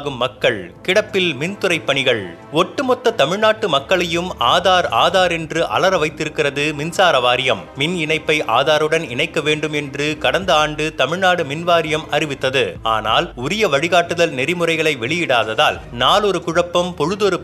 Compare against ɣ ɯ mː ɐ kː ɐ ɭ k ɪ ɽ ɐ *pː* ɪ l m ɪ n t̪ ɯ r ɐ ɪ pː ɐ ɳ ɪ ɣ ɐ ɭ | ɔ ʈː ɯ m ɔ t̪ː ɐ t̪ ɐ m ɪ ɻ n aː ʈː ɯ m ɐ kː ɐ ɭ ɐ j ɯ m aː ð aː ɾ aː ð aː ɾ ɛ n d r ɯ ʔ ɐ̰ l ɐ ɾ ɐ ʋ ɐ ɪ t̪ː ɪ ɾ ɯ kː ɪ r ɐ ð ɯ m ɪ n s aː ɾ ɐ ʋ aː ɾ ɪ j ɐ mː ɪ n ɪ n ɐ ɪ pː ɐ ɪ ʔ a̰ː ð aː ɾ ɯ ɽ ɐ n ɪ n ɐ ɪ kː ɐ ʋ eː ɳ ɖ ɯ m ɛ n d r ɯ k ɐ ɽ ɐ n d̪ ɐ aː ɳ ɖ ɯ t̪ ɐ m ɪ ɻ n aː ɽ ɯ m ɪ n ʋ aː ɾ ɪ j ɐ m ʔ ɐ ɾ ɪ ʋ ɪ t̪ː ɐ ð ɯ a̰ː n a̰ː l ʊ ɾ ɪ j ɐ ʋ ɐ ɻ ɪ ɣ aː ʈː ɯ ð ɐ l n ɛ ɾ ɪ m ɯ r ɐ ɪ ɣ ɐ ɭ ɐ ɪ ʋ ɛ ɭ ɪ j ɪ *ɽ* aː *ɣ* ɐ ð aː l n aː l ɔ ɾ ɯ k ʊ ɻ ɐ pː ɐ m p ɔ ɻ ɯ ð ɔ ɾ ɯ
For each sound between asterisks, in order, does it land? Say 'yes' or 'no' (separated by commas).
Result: yes, yes, no